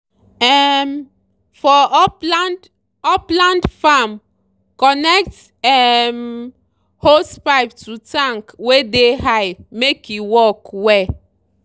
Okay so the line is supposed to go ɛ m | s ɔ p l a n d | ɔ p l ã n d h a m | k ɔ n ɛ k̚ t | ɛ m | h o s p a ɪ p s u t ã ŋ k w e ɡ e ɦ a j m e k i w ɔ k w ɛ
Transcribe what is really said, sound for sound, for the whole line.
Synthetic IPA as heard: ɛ m | f ɔ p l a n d | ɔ p l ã n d f a m | k ɔ n ɛ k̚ t | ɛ m | h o s p a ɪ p t u t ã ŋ k w e d e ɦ a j m e k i w ɔ k w ɛ